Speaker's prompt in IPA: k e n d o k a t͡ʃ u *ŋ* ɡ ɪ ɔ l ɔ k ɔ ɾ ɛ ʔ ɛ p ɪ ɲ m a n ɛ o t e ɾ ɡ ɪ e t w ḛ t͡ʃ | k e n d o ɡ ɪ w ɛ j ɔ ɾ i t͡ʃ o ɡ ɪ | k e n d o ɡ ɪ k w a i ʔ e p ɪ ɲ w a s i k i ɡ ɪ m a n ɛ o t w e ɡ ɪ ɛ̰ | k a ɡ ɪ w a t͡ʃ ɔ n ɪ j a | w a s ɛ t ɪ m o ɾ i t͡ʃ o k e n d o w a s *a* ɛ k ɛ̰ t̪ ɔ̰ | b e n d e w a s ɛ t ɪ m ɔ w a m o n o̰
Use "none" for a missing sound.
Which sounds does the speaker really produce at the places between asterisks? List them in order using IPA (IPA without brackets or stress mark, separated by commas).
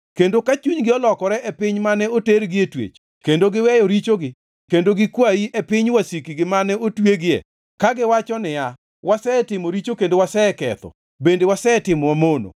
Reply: ɲ, ɛ